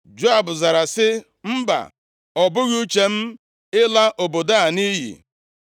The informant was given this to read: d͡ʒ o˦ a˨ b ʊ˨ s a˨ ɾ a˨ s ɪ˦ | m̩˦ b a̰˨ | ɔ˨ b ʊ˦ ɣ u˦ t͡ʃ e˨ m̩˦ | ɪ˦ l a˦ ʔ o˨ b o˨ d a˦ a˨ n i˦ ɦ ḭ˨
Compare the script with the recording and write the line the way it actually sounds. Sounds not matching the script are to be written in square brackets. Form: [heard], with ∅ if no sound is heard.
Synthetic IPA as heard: d͡ʒ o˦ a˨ b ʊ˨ [z] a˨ ɾ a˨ s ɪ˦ | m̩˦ b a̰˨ | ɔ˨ b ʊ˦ ɣ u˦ t͡ʃ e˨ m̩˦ | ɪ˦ l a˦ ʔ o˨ b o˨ d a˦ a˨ n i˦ ɦ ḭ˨